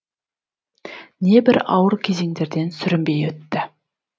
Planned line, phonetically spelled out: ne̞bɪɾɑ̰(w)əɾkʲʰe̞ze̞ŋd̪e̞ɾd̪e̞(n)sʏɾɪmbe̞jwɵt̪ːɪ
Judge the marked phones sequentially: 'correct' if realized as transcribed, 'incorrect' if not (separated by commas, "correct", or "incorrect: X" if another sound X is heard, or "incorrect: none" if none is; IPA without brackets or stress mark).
correct, correct